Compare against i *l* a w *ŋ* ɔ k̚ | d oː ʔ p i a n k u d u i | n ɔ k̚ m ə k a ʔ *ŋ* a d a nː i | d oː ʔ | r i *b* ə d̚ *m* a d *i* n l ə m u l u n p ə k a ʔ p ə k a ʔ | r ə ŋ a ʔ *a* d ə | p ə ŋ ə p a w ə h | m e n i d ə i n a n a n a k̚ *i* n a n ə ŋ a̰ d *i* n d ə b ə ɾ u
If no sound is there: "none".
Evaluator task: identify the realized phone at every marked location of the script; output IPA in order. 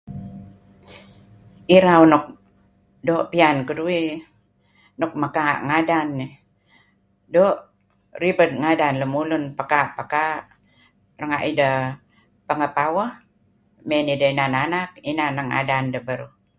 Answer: ɾ, n, ŋ, b, ŋ, a, i, i, a

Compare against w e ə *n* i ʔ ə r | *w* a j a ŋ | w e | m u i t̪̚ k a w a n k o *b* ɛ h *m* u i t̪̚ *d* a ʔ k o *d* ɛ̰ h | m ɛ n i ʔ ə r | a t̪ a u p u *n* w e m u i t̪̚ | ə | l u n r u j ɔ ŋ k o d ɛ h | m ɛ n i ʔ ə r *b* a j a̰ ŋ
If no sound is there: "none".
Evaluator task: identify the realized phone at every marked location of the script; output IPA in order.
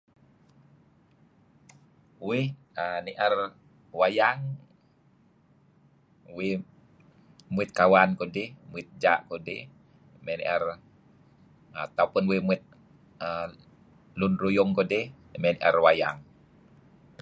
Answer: n, w, d, m, d͡ʒ, d, n, w

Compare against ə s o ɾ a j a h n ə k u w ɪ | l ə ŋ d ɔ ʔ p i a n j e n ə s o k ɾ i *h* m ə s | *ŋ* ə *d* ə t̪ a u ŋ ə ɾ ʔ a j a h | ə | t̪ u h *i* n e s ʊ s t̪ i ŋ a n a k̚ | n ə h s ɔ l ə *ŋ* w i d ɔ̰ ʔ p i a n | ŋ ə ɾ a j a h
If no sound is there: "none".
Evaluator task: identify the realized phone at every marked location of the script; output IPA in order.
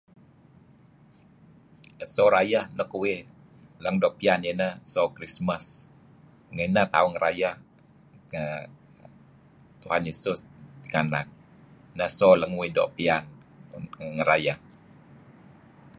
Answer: s, ŋ, n, a, ŋ

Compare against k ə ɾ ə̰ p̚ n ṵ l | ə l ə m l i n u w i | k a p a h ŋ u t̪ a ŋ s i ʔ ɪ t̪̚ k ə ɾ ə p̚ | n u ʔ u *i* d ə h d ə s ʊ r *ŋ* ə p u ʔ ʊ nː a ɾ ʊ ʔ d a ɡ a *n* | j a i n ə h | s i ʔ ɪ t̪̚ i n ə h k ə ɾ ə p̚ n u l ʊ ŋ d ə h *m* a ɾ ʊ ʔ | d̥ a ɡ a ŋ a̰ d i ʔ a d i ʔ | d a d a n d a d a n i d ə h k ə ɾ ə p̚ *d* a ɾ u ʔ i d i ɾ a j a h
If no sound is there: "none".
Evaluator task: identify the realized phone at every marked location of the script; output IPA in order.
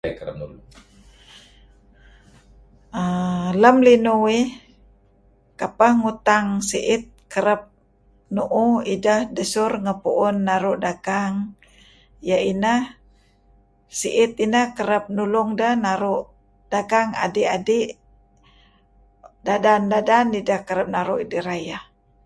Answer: i, ŋ, ŋ, n, n

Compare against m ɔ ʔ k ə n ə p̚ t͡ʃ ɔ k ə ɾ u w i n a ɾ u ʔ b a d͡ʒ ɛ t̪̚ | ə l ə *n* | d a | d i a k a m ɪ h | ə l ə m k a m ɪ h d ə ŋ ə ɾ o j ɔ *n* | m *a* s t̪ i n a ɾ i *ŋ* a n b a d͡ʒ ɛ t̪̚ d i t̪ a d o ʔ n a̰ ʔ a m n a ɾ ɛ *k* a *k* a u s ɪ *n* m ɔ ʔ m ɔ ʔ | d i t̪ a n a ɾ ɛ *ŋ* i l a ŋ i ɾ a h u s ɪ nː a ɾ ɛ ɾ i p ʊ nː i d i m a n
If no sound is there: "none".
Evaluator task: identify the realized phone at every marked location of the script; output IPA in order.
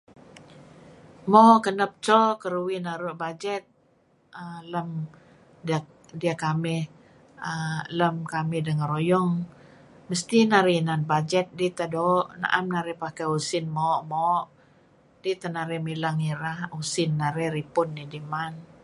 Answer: m, ŋ, ə, n, p, k, n, m

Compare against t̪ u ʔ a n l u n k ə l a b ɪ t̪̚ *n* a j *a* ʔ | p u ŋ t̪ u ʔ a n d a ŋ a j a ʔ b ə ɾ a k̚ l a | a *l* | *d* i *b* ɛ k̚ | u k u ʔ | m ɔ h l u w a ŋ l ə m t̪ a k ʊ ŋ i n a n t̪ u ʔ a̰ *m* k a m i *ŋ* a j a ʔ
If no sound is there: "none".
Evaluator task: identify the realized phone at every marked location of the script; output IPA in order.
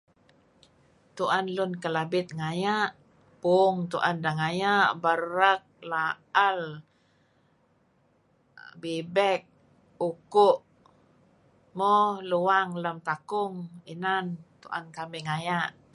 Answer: ŋ, a, l, b, b, n, ŋ

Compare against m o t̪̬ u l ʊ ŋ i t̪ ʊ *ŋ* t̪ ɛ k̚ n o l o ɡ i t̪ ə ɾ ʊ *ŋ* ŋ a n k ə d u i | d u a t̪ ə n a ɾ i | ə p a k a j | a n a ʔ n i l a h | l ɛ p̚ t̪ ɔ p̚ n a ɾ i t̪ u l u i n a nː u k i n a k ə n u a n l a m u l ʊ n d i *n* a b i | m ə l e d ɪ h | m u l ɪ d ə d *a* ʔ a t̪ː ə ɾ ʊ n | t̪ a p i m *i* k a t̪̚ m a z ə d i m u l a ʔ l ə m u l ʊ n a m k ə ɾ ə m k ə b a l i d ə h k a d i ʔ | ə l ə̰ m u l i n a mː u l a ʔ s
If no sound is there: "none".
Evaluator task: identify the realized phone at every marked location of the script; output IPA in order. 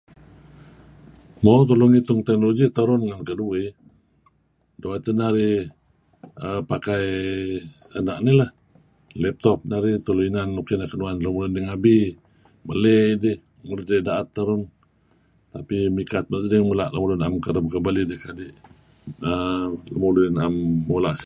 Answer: ŋ, n, ŋ, a, i

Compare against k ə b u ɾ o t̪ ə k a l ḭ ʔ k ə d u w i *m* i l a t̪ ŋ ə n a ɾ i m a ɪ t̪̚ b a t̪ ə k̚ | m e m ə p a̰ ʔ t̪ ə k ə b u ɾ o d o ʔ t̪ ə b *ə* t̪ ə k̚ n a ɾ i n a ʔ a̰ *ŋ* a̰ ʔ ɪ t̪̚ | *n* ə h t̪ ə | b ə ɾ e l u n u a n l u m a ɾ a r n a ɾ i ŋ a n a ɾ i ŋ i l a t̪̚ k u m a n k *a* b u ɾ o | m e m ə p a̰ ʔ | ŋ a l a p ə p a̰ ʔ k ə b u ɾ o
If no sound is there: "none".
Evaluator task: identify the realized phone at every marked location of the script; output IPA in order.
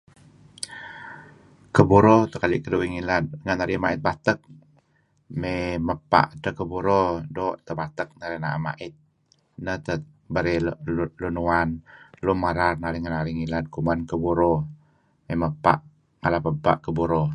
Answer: ŋ, a, m, n, ə

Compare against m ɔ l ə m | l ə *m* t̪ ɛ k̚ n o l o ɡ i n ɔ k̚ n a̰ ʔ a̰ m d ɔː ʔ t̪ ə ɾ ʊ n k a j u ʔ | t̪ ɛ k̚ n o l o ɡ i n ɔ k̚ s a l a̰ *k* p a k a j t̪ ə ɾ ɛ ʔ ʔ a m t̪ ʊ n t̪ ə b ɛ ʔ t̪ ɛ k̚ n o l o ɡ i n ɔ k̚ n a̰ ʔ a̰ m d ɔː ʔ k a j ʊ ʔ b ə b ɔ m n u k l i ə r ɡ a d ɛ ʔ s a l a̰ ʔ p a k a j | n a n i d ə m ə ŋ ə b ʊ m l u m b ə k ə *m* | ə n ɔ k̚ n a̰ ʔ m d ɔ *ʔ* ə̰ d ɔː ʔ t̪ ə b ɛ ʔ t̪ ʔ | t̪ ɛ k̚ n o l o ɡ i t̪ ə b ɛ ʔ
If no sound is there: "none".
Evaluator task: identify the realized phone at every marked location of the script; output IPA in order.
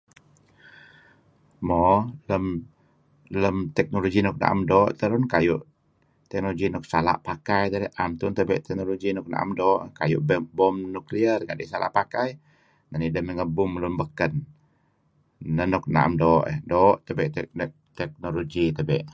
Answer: m, ʔ, n, ʔ

